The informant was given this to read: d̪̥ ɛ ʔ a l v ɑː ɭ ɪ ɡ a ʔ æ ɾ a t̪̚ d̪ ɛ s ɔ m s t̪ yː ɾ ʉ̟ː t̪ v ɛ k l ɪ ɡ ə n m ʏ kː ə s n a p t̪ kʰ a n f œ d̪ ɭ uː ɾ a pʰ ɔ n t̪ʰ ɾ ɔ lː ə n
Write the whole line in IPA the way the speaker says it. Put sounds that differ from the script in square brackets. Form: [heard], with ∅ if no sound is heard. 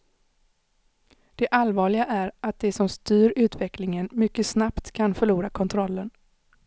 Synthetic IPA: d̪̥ ɛ ʔ a l v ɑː ɭ ɪ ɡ a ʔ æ ɾ a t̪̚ d̪ ɛ s ɔ m s t̪ yː ɾ ʉ̟ː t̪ v ɛ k l ɪ [ŋ] ə n m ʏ kː ə s n a p t̪ kʰ a n f œ [∅] ɭ uː ɾ a [kʰ] ɔ n t̪ʰ ɾ ɔ lː ə n